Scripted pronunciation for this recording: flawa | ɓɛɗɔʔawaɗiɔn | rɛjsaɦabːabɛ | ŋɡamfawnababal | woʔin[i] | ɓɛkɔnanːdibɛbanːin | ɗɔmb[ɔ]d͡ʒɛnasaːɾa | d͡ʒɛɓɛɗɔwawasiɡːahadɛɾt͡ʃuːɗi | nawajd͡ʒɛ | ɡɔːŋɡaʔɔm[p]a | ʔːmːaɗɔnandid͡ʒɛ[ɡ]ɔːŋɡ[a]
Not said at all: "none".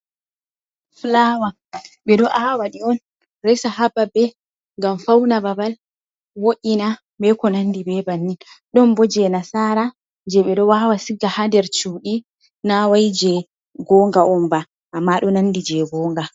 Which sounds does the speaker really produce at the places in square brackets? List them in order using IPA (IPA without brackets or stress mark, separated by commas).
a, ɔ, b, ɡ, a